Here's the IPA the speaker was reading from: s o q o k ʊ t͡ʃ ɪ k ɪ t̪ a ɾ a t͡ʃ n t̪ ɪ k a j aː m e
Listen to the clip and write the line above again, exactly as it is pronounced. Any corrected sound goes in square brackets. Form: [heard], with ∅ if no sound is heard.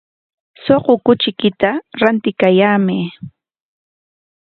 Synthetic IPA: s o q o k ʊ t͡ʃ ɪ k ɪ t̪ a ɾ a [∅] n t̪ ɪ k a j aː m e

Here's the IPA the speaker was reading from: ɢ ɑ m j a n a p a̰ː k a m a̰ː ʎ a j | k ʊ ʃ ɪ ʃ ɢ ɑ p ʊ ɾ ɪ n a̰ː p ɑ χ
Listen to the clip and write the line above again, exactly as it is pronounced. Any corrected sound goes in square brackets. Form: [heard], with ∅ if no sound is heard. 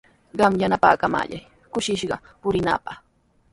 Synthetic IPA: ɢ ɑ m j a n a p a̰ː k a m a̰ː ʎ a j | k ʊ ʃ ɪ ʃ ɢ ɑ p ʊ ɾ ɪ n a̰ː p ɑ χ

